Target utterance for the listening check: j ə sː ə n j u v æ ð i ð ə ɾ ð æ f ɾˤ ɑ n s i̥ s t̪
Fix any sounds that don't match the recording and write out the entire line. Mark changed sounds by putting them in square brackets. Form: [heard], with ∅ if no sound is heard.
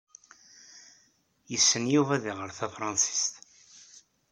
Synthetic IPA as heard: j ə sː ə n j u v æ ð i [ʁ] ə ɾ [θ] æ f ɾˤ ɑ n s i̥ s t̪